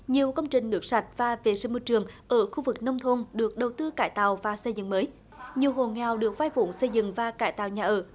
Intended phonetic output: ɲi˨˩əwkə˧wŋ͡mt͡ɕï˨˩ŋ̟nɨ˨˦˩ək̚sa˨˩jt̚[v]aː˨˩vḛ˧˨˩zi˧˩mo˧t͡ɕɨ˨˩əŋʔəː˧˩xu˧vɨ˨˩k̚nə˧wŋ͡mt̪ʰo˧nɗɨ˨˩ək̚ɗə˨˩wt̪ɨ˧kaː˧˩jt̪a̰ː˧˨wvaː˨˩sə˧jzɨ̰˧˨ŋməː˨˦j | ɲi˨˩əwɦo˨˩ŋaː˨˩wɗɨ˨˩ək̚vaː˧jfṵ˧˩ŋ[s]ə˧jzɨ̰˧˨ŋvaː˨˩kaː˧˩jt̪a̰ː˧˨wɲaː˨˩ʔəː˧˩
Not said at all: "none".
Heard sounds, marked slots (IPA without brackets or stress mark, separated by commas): v, s